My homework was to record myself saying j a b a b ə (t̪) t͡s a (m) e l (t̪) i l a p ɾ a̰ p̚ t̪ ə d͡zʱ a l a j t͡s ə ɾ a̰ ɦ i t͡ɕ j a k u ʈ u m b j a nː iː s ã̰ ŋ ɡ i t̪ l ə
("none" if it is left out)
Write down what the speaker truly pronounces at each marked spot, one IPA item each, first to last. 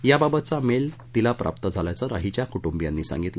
t̪, m, t̪

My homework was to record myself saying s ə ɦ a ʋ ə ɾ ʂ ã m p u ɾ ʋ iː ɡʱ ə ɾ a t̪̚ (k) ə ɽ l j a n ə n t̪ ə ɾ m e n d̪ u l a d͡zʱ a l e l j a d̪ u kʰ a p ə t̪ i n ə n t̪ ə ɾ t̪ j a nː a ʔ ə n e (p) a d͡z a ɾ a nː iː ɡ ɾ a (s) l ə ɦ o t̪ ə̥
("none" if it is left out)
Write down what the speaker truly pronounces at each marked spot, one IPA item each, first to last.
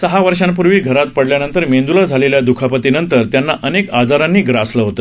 p, k, s

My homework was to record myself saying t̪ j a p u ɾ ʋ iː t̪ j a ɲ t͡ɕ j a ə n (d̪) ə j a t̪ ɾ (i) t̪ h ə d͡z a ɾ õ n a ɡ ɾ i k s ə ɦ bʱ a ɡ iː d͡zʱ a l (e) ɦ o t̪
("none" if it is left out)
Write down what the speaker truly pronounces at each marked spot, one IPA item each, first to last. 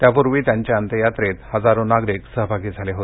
t̪, e, e

